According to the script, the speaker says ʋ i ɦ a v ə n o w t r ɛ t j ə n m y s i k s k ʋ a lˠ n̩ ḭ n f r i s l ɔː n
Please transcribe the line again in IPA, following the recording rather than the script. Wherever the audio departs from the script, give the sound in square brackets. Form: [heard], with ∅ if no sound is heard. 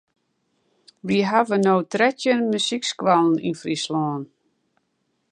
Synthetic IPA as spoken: ʋ i ɦ a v ə n o w t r ɛ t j ə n m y s i k s k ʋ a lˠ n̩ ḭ n f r i s l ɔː n